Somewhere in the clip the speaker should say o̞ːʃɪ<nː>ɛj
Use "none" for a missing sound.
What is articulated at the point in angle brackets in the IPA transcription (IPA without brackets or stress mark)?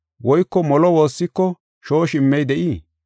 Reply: mː